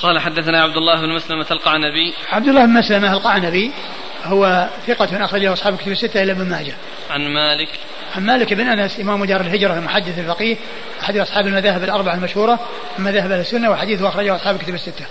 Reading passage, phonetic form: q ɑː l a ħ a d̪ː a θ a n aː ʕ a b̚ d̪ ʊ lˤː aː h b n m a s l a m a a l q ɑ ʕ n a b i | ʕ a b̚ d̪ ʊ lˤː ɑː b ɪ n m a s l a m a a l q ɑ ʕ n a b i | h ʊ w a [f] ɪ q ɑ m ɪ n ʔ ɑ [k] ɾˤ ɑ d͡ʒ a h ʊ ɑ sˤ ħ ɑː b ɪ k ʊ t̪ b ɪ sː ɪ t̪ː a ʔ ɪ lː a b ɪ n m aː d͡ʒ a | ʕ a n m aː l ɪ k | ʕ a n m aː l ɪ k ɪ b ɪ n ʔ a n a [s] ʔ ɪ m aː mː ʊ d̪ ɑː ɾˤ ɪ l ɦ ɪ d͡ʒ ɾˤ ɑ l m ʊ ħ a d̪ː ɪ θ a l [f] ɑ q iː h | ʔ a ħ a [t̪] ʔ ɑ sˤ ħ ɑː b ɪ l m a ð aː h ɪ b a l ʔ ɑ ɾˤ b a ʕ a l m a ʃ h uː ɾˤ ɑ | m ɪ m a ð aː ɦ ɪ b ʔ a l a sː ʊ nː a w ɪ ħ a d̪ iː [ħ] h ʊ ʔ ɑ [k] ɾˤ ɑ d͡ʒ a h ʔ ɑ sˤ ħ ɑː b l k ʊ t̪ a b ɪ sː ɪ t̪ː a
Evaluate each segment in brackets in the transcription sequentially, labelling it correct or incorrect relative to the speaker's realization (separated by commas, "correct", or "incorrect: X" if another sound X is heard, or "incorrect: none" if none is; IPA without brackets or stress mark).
incorrect: θ, incorrect: x, correct, correct, incorrect: d̪, incorrect: θ, incorrect: x